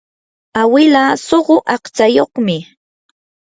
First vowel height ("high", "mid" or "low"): low